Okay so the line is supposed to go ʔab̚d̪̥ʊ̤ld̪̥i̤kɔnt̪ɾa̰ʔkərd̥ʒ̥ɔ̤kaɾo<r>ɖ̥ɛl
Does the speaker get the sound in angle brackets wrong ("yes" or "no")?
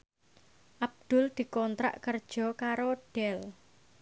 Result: yes